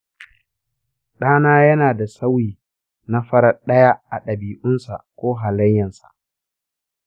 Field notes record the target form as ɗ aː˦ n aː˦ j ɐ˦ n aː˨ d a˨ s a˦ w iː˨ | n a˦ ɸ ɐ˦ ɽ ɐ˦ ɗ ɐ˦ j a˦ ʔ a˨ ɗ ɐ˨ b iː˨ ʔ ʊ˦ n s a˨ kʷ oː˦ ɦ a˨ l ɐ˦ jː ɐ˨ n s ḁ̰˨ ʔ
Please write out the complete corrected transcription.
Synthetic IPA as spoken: ɗ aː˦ n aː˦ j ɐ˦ n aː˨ d a˨ s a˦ w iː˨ | n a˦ ɸ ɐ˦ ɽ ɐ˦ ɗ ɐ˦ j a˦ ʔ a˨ ɗ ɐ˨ b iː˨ ʔ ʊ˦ n s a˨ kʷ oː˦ ɦ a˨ l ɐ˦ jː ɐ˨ n s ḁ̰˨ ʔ

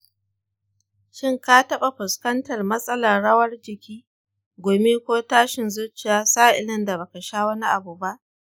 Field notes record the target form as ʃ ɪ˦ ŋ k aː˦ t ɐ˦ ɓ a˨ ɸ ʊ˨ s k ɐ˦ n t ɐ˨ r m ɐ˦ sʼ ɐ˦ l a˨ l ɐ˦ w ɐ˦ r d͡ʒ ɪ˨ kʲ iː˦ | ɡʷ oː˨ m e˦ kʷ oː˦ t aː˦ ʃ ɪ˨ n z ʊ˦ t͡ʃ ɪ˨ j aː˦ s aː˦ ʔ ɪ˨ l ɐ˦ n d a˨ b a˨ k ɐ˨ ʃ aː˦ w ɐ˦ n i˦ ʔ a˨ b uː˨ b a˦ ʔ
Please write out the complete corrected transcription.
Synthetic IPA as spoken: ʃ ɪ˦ ŋ k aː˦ t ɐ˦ ɓ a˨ ɸ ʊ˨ s k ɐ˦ n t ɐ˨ r m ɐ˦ sʼ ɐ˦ l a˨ ɽ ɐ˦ w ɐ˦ r d͡ʒ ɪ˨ kʲ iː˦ | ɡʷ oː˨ m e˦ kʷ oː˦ t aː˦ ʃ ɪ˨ n z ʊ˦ t͡ʃ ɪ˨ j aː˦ s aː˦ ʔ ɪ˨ l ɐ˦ n d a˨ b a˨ k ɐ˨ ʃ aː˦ w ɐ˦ n i˦ ʔ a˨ b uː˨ b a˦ ʔ

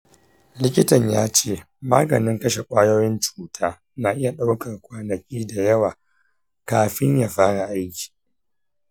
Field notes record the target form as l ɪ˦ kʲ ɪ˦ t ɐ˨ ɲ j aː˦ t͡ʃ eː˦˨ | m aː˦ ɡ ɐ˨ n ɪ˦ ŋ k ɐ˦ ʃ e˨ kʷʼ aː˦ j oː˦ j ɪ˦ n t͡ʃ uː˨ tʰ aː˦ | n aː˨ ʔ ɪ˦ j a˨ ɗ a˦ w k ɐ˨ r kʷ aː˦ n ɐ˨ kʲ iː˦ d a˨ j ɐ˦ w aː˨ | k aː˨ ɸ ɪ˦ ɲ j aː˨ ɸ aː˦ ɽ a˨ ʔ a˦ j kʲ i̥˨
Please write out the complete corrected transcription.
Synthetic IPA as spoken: l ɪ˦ kʲ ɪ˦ t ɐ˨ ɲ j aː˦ t͡ʃ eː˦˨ | m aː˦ ɡ ɐ˨ n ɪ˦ ŋ k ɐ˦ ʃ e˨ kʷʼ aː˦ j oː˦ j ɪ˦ n t͡ʃ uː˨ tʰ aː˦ | n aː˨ ʔ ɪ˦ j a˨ ɗ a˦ w k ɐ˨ r kʷ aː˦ n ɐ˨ kʲ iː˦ d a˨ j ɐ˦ w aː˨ | k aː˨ ɸ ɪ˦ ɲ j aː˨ ɸ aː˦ ɽ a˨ ʔ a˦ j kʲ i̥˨

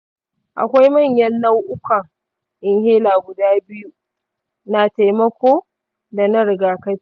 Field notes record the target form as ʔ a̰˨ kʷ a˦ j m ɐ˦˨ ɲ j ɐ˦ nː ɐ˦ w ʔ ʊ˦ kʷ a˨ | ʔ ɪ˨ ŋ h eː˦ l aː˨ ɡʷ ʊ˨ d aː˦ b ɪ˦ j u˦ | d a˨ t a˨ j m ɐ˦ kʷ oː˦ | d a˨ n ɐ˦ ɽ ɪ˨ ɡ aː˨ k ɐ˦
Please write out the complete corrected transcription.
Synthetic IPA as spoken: ʔ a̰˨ kʷ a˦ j m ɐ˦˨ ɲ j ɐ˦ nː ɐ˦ w ʔ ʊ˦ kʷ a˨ | ʔ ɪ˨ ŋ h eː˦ l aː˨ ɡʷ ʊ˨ d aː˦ b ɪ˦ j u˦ | n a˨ t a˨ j m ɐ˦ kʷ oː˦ | d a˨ n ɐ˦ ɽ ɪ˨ ɡ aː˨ k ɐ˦

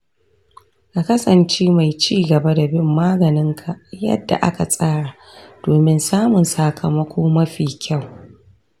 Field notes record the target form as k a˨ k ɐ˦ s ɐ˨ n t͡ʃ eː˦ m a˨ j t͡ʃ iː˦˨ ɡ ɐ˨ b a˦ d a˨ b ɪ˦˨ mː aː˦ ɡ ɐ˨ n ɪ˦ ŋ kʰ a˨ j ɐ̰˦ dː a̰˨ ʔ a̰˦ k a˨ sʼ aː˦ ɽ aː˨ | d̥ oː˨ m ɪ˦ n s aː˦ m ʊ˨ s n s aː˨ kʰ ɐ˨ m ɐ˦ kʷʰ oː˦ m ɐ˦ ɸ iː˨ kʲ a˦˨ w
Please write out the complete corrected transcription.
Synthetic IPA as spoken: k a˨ k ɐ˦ s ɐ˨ n t͡ʃ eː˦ m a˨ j t͡ʃ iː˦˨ ɡ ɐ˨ b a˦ d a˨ b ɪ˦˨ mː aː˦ ɡ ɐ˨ n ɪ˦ ŋ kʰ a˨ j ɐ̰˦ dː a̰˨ ʔ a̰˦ k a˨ sʼ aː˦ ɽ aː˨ | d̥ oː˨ m ɪ˦ n s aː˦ m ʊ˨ n s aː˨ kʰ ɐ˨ m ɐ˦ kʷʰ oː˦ m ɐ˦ ɸ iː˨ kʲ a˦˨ w

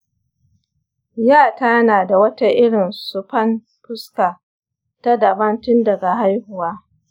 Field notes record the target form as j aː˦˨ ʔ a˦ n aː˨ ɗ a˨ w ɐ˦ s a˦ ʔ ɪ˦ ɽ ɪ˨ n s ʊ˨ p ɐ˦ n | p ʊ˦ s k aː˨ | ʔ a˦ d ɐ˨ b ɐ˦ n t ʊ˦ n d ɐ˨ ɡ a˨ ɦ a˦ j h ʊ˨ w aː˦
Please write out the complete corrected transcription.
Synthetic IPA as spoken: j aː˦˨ t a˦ n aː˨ d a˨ w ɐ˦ t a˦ ʔ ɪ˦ ɽ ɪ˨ n s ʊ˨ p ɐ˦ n | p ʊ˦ s k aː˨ | t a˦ d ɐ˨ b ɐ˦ n t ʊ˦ n d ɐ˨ ɡ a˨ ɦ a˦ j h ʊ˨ w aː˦

